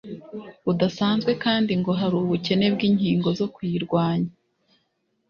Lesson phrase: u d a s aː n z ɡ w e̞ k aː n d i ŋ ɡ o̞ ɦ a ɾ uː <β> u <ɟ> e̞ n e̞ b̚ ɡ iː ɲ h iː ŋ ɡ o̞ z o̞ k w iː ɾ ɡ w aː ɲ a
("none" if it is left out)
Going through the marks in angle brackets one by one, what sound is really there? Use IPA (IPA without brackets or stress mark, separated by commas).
β, c